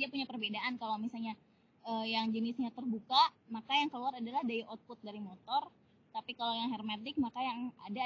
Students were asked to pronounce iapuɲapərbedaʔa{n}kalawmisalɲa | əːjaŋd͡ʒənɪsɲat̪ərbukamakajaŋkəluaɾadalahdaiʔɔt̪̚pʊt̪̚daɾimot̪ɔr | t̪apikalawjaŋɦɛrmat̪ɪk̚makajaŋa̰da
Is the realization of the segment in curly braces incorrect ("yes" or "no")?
no